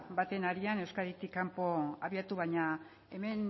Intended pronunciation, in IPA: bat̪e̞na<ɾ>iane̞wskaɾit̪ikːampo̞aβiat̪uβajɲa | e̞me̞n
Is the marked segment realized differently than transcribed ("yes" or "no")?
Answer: no